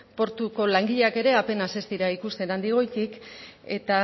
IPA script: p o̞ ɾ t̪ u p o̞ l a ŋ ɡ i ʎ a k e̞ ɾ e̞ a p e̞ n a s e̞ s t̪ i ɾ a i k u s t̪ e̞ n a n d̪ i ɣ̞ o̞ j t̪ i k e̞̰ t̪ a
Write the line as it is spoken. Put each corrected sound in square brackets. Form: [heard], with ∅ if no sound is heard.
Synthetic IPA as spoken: p o̞ ɾ t̪ u [k] o̞ l a ŋ ɡ i ʎ a k e̞ ɾ e̞ a p e̞ n a s e̞ s t̪ i ɾ a i k u s t̪ e̞ n a n d̪ i ɣ̞ o̞ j t̪ i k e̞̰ t̪ a